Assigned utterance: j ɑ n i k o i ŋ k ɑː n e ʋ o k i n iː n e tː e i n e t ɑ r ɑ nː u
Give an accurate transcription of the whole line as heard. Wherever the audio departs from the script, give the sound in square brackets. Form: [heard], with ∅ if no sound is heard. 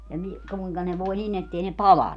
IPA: j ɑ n i k [u] i ŋ k [ɑ] n e ʋ o [∅] i n [i] n e tː e i n e [p] ɑ [l] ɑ nː u